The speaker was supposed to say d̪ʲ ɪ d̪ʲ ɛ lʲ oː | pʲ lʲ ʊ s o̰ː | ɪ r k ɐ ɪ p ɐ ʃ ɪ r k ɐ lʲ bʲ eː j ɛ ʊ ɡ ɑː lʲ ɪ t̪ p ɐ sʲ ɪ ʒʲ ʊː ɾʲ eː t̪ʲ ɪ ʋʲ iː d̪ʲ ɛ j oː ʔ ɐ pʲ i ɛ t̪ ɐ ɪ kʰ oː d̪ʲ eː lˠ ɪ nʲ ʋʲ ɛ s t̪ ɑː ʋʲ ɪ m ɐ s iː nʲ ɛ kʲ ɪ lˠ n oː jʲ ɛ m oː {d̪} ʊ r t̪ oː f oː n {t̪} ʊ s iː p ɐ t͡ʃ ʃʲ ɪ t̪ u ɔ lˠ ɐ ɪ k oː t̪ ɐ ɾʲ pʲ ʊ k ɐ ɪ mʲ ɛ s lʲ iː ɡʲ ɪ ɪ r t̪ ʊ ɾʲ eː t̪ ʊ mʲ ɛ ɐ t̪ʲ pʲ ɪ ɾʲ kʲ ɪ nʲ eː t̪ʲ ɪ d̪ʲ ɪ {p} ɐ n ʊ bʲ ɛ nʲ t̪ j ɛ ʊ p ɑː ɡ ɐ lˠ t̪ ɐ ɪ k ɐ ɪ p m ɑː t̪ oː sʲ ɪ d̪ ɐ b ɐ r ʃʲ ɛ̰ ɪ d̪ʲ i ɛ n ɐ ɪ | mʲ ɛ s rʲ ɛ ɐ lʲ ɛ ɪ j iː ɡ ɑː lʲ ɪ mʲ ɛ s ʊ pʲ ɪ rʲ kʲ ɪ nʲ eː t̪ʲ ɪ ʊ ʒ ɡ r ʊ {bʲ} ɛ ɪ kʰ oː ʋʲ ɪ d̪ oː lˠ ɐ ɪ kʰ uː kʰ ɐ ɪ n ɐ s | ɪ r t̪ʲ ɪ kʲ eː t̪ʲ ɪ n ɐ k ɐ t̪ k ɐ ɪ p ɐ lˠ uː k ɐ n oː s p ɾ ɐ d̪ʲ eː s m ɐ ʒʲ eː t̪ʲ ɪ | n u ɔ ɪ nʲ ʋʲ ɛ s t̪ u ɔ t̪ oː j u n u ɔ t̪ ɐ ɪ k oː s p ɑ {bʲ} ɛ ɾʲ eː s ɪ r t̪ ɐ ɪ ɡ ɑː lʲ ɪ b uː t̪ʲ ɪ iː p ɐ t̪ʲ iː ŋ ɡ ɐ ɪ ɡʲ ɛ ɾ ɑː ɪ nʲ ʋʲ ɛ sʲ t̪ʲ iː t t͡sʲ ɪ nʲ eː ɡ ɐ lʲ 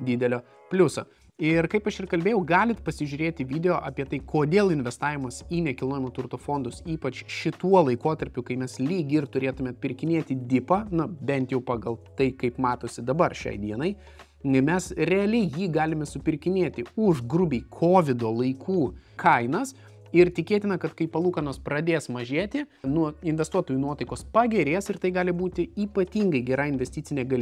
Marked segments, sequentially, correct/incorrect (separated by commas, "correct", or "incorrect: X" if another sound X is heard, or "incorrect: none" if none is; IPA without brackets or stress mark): incorrect: t̪, incorrect: d̪, correct, correct, incorrect: ɡʲ